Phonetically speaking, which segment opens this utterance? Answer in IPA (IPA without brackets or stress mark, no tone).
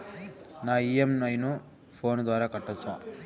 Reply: n